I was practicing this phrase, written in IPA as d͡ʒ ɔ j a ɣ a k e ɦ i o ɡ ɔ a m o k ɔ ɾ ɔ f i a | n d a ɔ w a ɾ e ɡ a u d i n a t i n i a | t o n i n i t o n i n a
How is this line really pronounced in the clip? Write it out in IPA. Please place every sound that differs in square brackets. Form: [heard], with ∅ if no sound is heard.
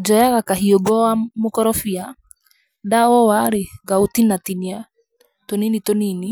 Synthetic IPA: d͡ʒ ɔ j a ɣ a k [a] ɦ i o ɡ ɔ a m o k ɔ ɾ ɔ f i a | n d a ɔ w a ɾ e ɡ a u [t] i n a t i n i a | t o n i n i t o n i n [i]